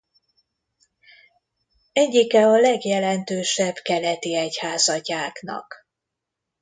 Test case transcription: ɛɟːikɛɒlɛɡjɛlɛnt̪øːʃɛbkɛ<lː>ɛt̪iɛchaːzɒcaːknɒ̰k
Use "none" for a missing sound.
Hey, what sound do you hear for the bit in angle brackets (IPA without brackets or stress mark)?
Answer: l